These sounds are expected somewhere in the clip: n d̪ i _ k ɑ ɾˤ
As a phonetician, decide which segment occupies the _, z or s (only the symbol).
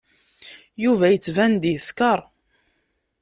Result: s